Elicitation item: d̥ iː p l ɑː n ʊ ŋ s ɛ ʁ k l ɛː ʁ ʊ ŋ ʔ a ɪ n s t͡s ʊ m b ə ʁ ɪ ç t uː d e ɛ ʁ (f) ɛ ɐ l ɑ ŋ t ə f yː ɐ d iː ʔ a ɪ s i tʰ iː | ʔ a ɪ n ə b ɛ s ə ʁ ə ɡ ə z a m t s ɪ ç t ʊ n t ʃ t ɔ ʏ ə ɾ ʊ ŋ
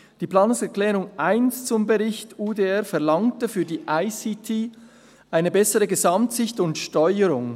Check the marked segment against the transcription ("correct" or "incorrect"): correct